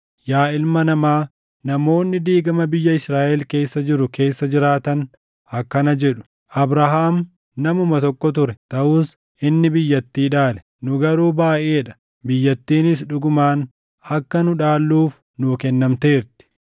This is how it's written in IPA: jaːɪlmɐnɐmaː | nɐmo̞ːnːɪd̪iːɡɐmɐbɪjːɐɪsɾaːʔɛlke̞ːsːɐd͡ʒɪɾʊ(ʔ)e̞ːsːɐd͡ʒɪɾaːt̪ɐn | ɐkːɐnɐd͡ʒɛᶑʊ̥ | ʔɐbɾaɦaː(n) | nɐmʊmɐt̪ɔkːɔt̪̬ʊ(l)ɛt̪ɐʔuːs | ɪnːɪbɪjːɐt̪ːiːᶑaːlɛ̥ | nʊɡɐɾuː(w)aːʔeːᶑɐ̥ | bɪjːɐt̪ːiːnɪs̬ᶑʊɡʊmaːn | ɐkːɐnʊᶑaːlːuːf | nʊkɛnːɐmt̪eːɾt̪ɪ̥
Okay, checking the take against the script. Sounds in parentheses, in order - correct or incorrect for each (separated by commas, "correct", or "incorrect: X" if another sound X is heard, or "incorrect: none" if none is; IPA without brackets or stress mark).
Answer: incorrect: k, incorrect: m, incorrect: ɾ, incorrect: b